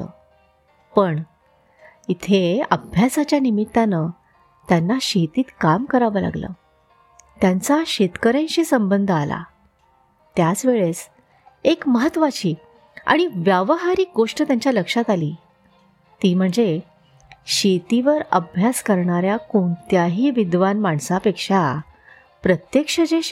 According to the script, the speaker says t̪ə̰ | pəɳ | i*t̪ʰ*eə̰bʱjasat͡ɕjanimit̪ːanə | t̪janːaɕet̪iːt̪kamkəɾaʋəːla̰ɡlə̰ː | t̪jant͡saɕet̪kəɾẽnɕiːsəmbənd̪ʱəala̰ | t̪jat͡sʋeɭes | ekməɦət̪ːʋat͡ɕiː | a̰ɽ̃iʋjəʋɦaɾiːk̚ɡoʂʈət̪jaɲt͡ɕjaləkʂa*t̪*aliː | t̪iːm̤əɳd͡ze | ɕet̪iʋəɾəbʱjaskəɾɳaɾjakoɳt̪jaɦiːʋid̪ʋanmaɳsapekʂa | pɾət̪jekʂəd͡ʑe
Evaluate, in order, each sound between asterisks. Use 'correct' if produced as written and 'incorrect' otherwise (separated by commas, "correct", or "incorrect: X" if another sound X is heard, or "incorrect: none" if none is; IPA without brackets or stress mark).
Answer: correct, correct